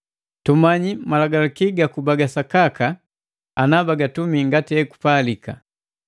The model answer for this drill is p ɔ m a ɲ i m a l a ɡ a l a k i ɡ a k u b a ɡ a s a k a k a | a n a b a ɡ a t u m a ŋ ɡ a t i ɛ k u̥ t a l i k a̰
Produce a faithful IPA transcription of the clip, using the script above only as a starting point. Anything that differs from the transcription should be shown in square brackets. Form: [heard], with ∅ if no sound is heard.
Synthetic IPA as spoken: [t] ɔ m a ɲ i m a l a ɡ a l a k i ɡ a k u b a ɡ a s a k a k a | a n a b a ɡ a t u m [i] ŋ ɡ a t i ɛ k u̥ [p] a l i k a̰